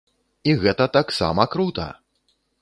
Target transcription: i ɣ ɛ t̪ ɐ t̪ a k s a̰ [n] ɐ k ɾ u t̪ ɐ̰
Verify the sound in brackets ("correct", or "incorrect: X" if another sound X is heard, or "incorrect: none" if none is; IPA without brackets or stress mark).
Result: incorrect: m